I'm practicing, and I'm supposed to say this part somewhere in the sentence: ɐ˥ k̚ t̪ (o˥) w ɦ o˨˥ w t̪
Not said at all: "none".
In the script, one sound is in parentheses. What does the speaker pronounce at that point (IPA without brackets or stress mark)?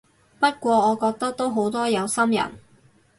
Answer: o˥